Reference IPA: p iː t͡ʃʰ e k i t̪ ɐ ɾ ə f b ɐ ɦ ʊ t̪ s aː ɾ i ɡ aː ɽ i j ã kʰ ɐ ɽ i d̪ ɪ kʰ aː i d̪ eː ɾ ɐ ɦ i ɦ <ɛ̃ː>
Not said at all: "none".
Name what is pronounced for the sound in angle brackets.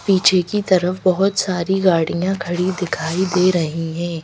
ɛ̃ː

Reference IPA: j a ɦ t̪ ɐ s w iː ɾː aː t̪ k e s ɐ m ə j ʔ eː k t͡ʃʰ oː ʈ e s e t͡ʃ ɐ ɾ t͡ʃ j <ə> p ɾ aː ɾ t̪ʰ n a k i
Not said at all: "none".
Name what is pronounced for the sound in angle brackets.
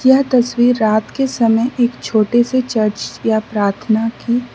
a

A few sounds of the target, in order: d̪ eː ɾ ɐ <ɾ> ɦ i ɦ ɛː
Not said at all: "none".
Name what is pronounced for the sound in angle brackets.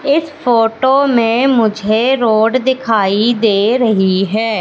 none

